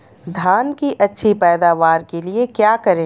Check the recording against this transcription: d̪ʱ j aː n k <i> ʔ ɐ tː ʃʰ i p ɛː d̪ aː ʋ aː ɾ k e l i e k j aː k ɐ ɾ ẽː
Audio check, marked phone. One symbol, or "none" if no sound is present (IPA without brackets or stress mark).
i